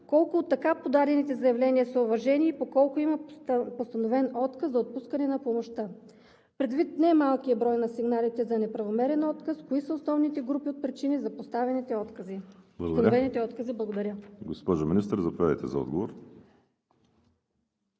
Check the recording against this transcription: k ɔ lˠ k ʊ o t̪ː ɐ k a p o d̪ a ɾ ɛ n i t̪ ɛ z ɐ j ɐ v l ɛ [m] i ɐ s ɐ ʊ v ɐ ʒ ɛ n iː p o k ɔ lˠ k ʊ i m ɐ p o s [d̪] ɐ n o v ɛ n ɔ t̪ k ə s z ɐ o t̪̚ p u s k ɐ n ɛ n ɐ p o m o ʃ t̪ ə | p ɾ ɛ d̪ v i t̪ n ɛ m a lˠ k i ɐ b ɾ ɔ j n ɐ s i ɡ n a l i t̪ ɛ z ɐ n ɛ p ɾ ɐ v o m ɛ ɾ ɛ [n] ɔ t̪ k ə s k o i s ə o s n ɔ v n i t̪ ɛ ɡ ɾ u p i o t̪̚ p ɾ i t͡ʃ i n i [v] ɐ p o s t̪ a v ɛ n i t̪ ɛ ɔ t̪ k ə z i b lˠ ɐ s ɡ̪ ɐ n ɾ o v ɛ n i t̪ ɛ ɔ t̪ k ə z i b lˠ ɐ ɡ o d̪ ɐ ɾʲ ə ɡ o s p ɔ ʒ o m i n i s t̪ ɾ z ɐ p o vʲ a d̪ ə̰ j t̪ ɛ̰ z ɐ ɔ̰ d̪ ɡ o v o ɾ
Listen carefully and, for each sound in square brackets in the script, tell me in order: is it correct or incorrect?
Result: incorrect, incorrect, correct, incorrect

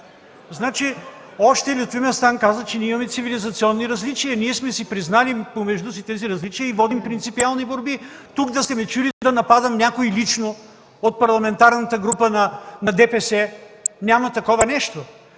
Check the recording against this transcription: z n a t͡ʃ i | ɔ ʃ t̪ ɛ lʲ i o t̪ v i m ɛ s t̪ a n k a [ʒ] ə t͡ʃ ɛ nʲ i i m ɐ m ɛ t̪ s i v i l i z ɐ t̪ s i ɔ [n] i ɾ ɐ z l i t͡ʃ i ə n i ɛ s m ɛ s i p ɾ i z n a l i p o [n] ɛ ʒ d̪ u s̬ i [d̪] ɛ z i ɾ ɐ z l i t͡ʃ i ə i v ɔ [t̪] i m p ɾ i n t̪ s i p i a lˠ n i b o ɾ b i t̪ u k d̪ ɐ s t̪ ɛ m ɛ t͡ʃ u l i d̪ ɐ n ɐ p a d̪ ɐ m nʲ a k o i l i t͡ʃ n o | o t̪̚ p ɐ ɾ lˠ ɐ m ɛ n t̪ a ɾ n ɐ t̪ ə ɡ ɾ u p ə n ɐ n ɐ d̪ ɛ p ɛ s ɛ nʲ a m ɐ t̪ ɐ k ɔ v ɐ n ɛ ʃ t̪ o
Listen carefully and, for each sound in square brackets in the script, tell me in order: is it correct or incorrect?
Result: incorrect, incorrect, incorrect, incorrect, incorrect

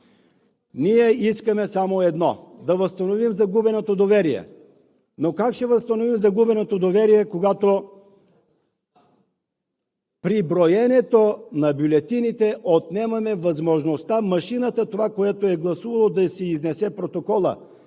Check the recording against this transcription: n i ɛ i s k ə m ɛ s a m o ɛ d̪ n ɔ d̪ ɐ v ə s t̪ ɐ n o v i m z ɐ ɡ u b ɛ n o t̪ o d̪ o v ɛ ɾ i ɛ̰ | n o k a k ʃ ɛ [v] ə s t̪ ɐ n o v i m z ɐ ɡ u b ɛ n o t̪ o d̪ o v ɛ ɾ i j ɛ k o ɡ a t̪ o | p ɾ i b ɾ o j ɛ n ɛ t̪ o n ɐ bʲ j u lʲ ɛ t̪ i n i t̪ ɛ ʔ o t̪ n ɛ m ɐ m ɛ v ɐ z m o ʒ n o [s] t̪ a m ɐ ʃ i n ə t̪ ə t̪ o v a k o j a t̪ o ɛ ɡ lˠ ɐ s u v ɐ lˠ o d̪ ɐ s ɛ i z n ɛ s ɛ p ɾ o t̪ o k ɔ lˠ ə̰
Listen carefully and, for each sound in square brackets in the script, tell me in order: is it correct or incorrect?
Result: correct, correct

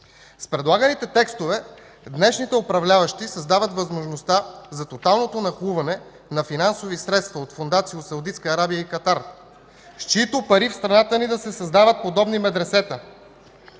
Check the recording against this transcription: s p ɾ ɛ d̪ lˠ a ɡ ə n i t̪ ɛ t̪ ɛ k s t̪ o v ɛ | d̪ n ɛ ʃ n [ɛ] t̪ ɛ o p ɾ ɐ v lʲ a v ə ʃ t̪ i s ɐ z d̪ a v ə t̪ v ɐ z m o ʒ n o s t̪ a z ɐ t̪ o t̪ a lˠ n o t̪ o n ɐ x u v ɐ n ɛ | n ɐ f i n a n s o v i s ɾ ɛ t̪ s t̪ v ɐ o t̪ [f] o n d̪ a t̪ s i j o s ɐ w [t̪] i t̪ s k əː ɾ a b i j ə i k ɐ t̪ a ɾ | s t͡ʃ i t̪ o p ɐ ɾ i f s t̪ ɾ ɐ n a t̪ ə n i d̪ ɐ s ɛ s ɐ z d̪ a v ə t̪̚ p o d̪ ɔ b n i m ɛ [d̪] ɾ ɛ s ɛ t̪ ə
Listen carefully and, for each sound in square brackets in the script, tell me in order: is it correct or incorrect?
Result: incorrect, correct, incorrect, correct

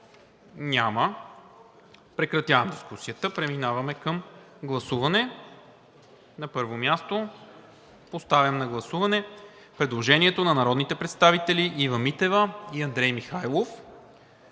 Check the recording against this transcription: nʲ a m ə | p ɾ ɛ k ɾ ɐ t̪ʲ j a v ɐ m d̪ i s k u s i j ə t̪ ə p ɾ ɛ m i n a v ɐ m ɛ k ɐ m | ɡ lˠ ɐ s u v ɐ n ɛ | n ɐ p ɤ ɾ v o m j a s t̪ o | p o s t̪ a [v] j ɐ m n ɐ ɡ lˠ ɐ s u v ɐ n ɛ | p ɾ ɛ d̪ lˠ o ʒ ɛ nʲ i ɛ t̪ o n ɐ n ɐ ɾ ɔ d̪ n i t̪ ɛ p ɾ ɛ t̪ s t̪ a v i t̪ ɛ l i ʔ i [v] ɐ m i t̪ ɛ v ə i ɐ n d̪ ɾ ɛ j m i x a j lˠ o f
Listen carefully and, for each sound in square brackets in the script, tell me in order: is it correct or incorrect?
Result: correct, correct

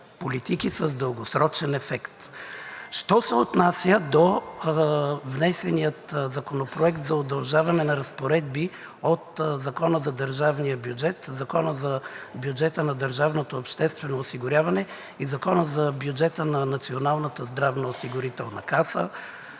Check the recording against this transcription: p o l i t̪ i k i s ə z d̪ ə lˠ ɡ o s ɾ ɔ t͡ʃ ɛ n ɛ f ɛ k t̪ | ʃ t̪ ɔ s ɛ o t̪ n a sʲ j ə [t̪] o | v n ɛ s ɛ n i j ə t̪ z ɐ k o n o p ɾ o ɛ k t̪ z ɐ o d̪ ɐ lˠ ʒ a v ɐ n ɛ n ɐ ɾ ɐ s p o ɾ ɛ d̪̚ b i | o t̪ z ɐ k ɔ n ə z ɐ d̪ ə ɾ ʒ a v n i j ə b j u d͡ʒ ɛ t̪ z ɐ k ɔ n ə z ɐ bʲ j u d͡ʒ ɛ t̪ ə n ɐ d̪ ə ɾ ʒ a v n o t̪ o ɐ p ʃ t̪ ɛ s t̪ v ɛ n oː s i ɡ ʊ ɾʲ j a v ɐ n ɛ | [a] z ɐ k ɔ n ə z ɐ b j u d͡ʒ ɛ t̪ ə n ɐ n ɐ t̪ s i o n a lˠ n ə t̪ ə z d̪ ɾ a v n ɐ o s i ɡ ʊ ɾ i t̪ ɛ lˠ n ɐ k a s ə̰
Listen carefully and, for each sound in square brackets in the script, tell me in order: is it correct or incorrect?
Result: incorrect, incorrect

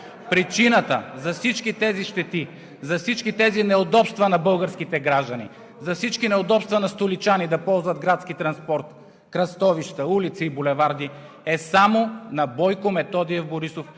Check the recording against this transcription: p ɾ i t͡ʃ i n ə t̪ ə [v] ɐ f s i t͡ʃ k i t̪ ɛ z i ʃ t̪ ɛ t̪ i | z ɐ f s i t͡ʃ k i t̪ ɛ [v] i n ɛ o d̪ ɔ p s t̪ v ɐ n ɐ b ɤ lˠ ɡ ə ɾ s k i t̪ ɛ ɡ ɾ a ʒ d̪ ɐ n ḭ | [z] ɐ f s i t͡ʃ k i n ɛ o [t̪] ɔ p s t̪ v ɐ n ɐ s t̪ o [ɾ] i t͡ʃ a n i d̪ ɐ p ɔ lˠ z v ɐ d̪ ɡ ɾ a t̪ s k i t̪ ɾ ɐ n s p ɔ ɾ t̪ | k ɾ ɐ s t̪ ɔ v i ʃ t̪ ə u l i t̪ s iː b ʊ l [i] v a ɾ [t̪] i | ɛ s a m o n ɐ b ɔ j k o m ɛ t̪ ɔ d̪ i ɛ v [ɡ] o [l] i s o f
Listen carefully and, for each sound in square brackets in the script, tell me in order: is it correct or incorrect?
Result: incorrect, incorrect, correct, incorrect, incorrect, incorrect, incorrect, incorrect, incorrect

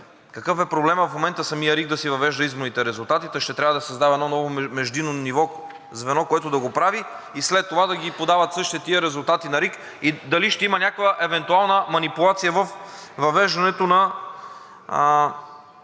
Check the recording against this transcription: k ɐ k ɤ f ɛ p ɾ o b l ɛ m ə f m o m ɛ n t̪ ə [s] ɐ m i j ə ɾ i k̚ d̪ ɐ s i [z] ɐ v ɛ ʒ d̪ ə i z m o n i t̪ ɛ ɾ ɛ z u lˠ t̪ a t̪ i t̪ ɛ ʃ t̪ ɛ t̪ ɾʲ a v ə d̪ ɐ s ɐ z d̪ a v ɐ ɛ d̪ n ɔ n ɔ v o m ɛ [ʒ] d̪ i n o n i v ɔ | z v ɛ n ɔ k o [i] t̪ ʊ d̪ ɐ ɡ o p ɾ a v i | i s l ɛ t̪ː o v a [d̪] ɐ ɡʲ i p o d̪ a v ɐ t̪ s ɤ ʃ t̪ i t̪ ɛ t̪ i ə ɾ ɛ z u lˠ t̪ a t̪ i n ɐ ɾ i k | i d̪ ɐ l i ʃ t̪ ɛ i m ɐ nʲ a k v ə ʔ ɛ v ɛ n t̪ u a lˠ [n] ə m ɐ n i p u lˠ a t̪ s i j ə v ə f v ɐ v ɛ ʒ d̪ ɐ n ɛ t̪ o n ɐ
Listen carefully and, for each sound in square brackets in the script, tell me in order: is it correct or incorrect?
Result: correct, incorrect, correct, incorrect, correct, correct

